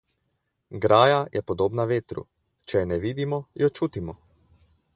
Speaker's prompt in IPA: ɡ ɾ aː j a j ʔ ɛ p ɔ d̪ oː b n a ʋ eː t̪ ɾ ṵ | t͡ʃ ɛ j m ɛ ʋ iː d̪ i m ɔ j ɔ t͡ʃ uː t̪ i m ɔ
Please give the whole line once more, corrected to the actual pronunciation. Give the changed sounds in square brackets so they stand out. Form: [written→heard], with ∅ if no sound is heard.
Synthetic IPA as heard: ɡ ɾ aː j a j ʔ ɛ p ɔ d̪ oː b n a ʋ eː t̪ ɾ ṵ | t͡ʃ ɛ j [m→n] ɛ ʋ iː d̪ i m ɔ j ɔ t͡ʃ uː t̪ i m ɔ